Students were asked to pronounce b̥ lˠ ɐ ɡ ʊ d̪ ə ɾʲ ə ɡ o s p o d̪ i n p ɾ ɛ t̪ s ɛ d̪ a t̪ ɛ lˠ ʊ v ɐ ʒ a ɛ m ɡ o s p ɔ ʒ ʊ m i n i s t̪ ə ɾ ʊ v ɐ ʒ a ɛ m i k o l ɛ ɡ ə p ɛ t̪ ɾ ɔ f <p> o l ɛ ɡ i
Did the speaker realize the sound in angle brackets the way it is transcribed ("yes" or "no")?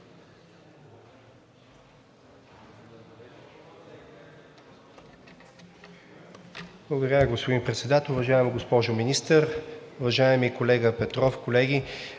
no